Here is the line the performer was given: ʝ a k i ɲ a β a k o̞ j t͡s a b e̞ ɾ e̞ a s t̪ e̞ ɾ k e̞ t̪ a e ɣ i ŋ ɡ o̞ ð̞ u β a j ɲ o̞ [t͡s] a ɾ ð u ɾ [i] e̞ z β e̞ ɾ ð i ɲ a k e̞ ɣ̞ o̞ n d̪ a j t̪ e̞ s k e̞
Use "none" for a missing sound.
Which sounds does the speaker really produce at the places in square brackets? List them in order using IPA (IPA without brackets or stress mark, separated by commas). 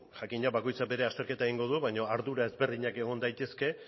none, a